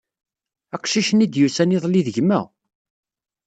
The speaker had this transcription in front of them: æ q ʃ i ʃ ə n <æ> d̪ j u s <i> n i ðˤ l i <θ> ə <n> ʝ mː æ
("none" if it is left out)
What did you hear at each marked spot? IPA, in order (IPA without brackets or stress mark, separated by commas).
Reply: i, æ, ð, none